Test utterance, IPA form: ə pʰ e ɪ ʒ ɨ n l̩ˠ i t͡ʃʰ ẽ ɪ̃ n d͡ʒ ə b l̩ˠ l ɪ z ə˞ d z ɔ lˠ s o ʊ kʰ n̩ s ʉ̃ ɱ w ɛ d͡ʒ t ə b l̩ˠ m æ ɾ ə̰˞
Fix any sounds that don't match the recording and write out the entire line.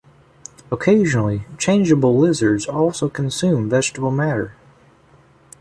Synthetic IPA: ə kʰ e ɪ ʒ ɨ n l̩ˠ i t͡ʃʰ ẽ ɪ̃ n d͡ʒ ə b l̩ˠ l ɪ z ə˞ d z ɔ lˠ s o ʊ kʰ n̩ s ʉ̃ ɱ v ɛ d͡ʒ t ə b l̩ˠ m æ ɾ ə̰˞